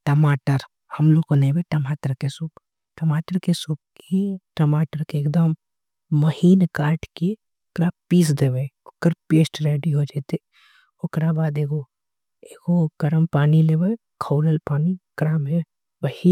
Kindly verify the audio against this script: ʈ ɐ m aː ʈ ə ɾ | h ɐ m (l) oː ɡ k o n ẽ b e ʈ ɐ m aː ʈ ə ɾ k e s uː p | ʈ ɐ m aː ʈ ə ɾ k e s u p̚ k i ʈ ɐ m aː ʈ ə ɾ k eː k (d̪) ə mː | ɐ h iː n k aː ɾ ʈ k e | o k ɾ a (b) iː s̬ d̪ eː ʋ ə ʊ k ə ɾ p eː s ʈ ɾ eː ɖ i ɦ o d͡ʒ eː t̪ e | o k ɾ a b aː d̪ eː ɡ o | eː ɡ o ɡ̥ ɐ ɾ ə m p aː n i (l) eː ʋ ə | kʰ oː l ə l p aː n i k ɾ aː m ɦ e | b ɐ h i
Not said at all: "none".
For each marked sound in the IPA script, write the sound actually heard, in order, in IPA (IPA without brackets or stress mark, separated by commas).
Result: l, d̪, p, l